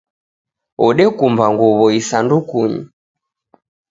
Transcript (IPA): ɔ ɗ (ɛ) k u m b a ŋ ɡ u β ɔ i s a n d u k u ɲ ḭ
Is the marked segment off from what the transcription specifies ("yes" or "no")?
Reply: no